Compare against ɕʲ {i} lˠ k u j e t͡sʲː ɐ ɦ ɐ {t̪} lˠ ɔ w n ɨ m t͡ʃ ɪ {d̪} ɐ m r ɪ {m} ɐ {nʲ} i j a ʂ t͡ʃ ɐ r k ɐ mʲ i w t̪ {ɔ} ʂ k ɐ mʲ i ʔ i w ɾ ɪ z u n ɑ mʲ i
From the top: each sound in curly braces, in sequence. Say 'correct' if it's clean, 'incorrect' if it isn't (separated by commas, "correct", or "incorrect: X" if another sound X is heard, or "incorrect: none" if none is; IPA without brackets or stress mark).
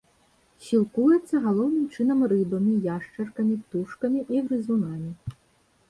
correct, incorrect: none, incorrect: n̪, incorrect: b, incorrect: mʲ, incorrect: u